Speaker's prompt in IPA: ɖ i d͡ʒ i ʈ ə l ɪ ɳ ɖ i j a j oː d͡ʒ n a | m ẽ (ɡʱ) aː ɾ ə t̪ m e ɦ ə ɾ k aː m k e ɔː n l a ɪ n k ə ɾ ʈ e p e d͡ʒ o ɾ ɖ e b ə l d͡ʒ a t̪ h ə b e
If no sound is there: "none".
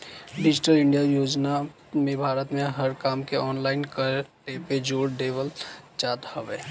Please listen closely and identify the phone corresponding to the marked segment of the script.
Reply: bʱ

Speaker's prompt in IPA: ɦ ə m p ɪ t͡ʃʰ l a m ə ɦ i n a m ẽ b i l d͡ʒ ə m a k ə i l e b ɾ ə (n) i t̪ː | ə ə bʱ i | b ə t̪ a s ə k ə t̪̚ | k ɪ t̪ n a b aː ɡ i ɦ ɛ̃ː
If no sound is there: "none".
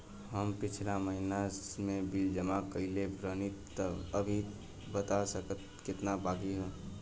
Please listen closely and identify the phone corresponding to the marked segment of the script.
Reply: n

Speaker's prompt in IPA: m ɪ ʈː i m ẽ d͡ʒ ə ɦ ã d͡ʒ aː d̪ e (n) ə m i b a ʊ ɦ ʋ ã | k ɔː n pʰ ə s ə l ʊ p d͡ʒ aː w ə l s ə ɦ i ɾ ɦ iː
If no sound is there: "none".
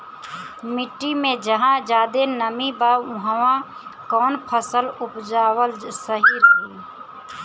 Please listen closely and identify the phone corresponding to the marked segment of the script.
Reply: n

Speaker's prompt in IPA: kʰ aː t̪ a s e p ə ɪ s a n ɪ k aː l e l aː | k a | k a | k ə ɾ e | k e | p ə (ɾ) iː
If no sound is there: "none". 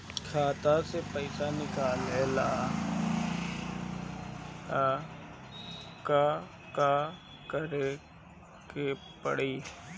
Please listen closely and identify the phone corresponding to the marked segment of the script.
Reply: ɽ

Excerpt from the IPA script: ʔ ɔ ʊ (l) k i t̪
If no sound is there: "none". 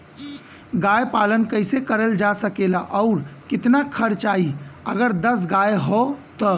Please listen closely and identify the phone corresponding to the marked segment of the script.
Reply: ɾ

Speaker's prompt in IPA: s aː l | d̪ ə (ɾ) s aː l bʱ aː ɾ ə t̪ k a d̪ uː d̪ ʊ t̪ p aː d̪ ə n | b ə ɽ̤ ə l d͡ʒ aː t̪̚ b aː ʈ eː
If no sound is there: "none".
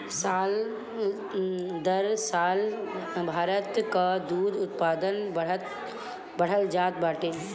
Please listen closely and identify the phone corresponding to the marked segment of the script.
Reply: ɾ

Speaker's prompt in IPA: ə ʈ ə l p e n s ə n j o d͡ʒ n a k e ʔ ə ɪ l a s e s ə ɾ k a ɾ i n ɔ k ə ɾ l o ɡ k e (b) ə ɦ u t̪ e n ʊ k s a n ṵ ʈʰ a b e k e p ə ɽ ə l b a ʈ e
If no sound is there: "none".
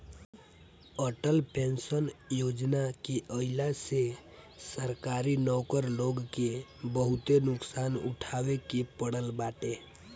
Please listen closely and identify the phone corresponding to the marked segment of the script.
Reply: b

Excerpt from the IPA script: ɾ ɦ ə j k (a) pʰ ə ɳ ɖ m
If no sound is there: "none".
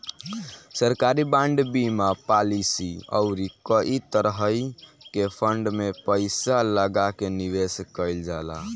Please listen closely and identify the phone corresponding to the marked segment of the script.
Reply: e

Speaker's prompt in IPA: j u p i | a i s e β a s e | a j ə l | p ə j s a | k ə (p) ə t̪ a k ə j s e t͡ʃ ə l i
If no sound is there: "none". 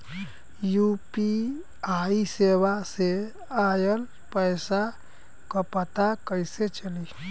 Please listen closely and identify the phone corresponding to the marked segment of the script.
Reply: p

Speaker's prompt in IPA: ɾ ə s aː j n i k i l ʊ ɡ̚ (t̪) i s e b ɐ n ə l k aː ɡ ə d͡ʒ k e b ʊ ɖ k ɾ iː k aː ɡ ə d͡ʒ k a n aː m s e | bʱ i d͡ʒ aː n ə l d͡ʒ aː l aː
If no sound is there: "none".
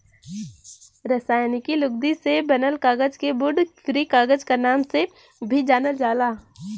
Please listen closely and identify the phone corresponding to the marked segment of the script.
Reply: d̪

